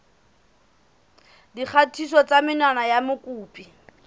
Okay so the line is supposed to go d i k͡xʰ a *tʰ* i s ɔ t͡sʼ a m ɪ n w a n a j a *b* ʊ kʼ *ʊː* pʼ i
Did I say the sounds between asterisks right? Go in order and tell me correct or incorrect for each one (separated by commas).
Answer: correct, incorrect, incorrect